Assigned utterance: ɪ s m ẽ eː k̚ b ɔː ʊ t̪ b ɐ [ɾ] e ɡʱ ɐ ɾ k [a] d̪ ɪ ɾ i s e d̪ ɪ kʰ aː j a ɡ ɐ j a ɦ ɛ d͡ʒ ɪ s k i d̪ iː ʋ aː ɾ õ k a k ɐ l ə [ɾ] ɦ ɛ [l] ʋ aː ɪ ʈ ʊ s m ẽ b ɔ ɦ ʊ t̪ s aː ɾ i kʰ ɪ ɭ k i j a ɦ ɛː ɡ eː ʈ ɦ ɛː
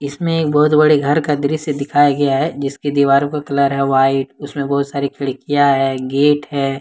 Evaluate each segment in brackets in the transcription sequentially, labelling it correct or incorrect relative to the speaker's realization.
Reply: incorrect: ɽ, correct, correct, incorrect: none

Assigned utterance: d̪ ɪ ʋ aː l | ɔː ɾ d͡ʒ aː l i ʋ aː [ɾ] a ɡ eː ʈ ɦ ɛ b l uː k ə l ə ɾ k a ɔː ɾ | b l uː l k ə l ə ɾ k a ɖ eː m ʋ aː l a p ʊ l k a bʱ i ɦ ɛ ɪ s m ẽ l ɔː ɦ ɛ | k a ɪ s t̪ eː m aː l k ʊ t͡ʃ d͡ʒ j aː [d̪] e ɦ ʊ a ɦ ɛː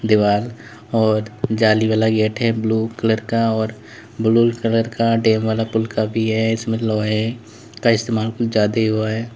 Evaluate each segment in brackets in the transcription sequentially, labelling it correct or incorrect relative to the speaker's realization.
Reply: incorrect: l, correct

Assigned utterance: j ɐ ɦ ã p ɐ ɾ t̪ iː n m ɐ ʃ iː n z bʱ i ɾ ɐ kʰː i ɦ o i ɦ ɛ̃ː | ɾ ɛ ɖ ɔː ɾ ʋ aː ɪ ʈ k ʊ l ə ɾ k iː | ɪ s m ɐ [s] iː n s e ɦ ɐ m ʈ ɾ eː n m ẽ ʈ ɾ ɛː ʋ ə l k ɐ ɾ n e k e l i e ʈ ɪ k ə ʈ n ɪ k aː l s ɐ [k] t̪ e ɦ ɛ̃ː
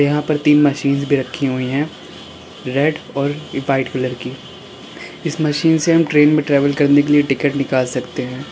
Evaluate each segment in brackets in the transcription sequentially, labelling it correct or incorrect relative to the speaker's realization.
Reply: incorrect: ʃ, correct

